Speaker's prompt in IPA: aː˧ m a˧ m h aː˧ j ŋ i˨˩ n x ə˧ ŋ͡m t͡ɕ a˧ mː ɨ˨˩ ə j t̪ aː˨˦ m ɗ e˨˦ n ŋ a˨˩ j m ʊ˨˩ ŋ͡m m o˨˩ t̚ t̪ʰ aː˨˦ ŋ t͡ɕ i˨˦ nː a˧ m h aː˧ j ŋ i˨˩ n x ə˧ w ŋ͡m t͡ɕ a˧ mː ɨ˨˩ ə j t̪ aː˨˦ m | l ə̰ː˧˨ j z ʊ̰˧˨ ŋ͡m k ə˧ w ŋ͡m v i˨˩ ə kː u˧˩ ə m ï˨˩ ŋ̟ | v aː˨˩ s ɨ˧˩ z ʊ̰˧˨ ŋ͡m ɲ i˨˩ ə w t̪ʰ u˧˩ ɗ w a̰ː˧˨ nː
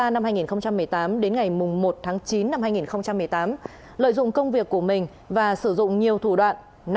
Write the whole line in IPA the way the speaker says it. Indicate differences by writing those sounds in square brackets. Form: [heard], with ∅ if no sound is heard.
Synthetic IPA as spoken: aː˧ [n] a˧ m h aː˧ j ŋ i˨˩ n x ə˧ ŋ͡m t͡ɕ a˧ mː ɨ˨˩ ə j t̪ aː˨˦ m ɗ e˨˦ n ŋ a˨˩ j m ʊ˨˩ ŋ͡m m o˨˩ t̚ t̪ʰ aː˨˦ ŋ t͡ɕ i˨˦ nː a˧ m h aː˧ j ŋ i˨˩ n x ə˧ w ŋ͡m t͡ɕ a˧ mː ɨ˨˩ ə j t̪ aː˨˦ m | l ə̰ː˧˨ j z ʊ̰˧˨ ŋ͡m k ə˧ w ŋ͡m v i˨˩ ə kː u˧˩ ə m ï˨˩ ŋ̟ | v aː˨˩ s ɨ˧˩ z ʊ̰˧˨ ŋ͡m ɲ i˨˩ ə w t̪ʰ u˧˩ ɗ w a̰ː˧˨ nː